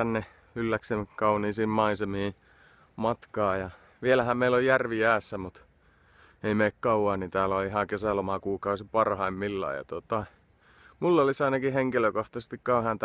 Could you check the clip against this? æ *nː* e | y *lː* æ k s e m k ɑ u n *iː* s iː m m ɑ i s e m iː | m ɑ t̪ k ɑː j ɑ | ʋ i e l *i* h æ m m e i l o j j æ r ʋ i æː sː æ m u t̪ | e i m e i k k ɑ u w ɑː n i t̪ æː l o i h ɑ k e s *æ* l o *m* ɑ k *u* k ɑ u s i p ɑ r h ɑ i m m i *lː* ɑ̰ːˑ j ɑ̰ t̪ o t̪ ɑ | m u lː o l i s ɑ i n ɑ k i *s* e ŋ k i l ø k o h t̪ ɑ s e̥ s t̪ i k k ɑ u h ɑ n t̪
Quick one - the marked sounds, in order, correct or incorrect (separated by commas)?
correct, correct, correct, incorrect, correct, correct, incorrect, correct, incorrect